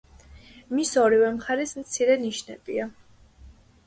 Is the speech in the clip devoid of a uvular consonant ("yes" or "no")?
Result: no